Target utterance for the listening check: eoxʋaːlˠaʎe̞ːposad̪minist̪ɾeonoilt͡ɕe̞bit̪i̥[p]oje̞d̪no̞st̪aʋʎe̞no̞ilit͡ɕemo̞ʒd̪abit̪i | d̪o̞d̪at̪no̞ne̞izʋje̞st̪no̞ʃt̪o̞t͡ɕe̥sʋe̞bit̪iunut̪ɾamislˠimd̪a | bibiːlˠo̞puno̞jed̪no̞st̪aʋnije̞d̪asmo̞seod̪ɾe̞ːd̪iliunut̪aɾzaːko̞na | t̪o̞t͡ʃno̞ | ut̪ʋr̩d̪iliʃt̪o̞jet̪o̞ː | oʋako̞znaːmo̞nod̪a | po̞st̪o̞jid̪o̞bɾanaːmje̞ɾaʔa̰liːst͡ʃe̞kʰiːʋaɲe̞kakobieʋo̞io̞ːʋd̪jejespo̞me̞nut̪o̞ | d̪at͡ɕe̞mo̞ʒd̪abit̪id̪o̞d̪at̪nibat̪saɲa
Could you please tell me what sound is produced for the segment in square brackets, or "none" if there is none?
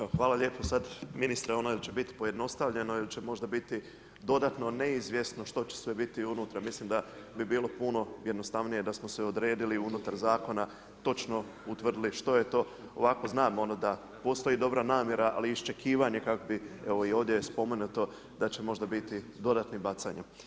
p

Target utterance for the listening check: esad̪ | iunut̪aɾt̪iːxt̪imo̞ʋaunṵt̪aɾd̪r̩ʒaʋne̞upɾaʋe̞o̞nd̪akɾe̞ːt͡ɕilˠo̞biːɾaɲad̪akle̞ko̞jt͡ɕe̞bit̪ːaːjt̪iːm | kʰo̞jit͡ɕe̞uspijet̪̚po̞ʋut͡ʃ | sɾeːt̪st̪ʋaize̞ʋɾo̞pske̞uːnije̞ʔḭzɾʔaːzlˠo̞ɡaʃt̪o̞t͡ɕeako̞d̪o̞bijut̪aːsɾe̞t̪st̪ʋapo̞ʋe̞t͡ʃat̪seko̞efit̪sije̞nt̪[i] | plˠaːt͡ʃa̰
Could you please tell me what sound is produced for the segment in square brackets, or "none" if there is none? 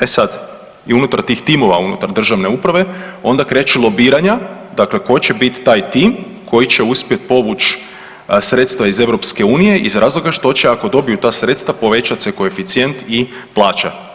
i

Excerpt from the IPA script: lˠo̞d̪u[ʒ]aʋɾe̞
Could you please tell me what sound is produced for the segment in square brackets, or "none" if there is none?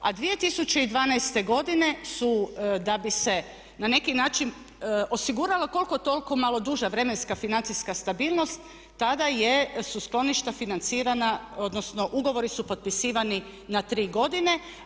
ʒ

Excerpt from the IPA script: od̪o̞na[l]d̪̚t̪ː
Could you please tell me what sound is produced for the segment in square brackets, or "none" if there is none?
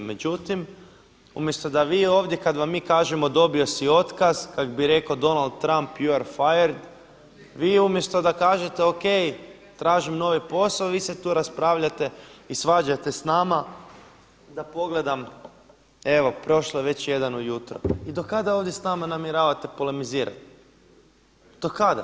l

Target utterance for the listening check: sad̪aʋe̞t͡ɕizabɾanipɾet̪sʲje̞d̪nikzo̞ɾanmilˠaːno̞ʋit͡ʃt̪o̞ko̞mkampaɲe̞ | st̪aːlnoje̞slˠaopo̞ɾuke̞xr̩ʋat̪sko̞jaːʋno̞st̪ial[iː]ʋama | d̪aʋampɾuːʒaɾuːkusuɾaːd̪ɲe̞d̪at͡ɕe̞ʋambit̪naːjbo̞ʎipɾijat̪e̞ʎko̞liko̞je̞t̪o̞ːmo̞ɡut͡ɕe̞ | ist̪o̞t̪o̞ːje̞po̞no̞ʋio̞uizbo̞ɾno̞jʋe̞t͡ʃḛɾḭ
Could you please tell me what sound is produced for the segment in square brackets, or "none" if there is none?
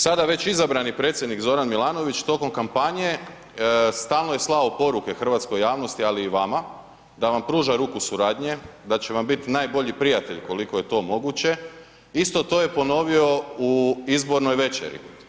iː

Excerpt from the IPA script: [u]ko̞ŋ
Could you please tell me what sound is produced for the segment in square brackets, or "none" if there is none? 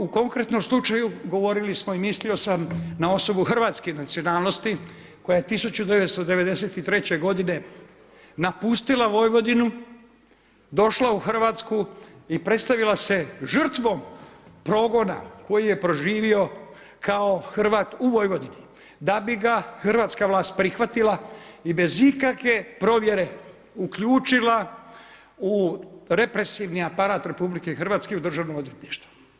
u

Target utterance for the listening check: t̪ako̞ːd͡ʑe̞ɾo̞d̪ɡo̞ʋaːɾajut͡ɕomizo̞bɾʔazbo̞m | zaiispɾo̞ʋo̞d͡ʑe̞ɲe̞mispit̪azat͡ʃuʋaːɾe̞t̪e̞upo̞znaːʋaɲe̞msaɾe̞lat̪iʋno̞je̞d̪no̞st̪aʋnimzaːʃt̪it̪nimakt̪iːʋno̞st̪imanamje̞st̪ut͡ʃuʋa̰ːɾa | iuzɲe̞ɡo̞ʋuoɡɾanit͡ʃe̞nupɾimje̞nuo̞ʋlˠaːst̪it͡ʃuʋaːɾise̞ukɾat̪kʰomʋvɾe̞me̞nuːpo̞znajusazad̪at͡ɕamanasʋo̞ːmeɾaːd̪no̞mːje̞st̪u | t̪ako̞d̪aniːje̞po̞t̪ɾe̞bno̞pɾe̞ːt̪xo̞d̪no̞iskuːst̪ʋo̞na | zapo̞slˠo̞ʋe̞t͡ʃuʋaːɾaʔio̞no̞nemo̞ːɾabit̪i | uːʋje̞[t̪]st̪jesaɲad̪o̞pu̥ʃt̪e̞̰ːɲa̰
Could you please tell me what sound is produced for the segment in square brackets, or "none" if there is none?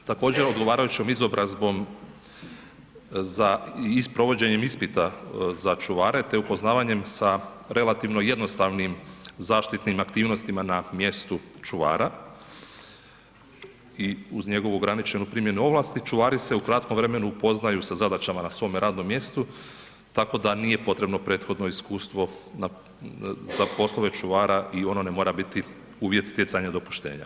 t̪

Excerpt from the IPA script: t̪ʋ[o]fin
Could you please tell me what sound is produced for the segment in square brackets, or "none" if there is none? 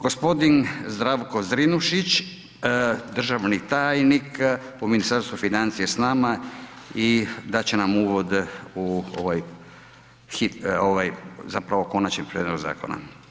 u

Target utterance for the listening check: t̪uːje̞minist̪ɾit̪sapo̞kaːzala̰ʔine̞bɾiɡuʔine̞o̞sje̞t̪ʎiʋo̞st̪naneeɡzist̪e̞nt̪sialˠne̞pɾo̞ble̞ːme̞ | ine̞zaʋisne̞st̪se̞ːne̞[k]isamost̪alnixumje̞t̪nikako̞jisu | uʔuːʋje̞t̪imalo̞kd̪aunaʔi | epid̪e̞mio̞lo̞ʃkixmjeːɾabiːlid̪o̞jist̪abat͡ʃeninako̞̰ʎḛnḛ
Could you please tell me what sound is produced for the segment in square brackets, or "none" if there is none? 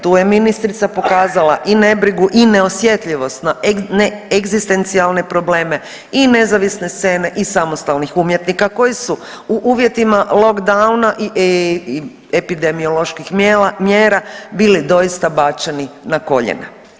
ʔ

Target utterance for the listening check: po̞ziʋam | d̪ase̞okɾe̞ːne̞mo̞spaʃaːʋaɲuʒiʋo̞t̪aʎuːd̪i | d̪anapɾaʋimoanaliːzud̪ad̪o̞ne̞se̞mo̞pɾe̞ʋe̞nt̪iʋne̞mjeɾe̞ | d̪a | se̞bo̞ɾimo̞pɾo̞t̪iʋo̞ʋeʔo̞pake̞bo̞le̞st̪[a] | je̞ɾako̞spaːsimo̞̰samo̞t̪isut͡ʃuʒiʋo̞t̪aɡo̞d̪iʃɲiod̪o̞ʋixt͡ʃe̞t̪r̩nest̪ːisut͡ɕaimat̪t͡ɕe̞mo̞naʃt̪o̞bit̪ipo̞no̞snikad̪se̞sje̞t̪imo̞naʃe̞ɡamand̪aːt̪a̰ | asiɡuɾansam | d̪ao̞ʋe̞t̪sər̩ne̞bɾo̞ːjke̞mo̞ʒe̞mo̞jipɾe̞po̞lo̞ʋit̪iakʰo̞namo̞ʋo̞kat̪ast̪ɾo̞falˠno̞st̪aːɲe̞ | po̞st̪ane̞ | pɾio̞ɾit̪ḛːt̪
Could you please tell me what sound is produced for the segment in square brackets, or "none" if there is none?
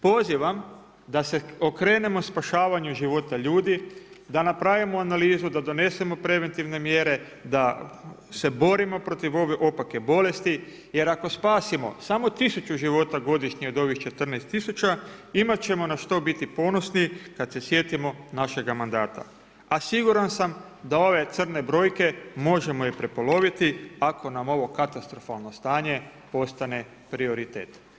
i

